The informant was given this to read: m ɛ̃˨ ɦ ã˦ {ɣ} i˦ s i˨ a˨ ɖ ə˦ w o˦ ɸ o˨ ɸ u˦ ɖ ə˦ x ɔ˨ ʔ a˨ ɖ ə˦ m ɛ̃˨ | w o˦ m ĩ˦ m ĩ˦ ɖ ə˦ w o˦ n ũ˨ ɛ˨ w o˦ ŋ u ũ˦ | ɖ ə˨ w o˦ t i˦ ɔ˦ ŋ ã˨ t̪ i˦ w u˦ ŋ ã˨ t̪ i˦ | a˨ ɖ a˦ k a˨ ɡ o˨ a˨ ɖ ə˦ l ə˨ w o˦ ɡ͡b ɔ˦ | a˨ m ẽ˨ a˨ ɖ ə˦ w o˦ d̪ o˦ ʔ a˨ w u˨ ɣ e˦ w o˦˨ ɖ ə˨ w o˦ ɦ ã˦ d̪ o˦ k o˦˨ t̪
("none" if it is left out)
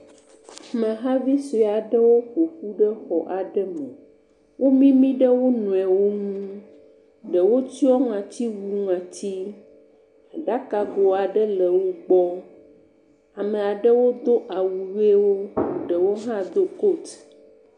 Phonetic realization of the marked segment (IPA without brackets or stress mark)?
v